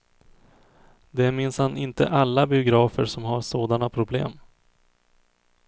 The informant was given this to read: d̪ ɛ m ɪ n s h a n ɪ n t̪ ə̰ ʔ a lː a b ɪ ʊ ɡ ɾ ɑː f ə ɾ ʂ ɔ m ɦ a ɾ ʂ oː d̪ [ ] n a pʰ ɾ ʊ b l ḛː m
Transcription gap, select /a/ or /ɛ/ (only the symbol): a